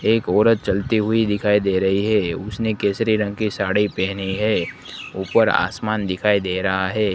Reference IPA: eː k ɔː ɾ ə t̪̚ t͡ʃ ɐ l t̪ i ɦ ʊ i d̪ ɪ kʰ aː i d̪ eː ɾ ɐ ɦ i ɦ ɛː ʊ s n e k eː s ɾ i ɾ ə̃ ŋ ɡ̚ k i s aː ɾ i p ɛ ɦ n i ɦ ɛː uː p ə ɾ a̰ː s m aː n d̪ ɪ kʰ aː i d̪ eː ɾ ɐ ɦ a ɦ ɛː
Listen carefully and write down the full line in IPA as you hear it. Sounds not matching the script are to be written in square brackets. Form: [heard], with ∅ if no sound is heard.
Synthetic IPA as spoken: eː k ɔː ɾ ə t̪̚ t͡ʃ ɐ l t̪ i ɦ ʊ i d̪ ɪ kʰ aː i d̪ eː ɾ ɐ ɦ i ɦ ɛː ʊ s n e k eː s ɾ i ɾ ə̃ ŋ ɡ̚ k i s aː [ɽ] i p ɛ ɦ n i ɦ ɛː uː p ə ɾ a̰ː s m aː n d̪ ɪ kʰ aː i d̪ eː ɾ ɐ ɦ a ɦ ɛː